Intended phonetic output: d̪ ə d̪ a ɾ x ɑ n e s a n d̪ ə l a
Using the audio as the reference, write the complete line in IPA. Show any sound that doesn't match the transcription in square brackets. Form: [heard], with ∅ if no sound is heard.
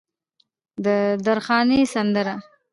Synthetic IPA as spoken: d̪ ə d̪ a ɾ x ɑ n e s a n d̪ ə [ɾ] a